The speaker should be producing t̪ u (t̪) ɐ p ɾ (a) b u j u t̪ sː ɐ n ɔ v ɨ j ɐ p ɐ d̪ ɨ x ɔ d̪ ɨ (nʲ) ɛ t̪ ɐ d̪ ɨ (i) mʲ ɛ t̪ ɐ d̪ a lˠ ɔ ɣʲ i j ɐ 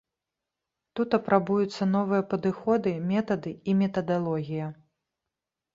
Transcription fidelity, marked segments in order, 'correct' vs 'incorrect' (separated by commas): correct, correct, incorrect, correct